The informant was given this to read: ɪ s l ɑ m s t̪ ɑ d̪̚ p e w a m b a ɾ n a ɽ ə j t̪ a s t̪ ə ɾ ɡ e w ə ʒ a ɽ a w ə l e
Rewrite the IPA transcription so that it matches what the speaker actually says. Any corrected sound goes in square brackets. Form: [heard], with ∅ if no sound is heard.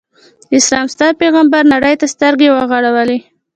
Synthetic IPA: ɪ s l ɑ m s t̪ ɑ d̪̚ p e [ɣ] a m b a ɾ n a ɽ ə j t̪ a s t̪ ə ɾ ɡ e w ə [ɣ] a ɽ a w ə l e